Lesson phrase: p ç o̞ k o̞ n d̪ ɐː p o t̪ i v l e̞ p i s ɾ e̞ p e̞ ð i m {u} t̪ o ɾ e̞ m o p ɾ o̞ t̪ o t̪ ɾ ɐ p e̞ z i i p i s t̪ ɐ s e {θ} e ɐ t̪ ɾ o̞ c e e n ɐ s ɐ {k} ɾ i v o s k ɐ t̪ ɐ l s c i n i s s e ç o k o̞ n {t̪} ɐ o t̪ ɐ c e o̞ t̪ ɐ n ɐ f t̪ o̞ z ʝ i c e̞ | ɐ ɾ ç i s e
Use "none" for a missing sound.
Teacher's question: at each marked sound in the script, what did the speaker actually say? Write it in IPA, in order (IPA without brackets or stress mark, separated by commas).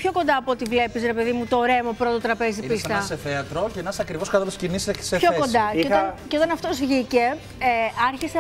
u, θ, k, d̪